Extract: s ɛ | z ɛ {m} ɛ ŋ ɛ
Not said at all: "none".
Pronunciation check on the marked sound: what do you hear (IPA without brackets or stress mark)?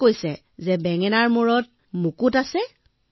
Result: b